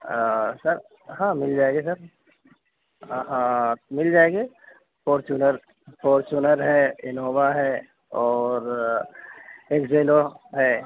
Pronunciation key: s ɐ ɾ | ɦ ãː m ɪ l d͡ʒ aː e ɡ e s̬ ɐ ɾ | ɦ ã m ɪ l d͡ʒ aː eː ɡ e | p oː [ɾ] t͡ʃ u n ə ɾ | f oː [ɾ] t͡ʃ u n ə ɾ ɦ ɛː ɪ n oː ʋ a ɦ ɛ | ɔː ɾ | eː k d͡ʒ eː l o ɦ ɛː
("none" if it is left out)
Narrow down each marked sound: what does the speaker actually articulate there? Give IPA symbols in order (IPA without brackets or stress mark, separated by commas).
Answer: ɾ, ɾ